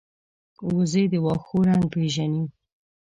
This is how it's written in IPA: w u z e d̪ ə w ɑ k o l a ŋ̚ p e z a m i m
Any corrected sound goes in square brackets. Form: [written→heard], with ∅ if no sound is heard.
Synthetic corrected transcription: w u z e d̪ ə w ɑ [k→x] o [l→ɾ] a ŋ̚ p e [z→ʒ] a [m→n] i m